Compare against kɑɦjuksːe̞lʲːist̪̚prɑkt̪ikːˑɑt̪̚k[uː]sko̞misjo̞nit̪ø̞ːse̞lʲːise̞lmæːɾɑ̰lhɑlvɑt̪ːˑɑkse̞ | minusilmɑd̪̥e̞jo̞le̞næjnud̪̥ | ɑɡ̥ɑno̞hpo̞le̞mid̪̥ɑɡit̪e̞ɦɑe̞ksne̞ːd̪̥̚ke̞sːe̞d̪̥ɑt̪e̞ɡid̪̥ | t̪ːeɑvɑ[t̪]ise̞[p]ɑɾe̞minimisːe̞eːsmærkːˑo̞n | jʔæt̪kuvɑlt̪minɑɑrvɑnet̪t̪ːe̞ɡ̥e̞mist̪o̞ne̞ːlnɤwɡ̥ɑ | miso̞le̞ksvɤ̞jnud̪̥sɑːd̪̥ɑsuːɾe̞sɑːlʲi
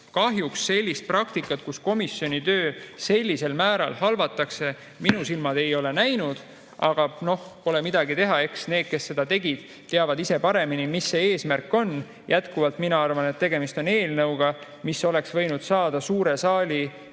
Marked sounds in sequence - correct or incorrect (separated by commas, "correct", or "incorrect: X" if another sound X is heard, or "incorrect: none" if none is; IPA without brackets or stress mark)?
incorrect: u, incorrect: d̪, correct